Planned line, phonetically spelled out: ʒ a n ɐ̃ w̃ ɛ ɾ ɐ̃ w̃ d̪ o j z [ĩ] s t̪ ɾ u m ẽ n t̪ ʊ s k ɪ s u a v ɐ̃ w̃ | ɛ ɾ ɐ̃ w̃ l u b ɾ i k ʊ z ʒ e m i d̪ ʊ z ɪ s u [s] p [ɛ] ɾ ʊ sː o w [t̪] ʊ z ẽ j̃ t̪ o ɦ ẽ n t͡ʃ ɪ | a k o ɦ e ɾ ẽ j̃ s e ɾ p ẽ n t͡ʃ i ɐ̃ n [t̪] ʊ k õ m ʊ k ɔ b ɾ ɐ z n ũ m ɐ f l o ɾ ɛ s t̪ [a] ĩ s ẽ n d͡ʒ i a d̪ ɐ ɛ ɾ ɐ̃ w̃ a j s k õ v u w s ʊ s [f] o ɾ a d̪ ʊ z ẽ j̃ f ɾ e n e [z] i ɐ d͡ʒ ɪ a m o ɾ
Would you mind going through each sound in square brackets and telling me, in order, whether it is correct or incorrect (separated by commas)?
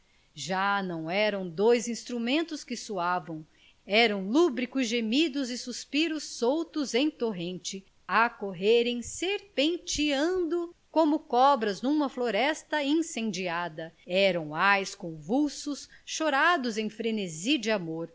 correct, correct, incorrect, correct, incorrect, incorrect, incorrect, correct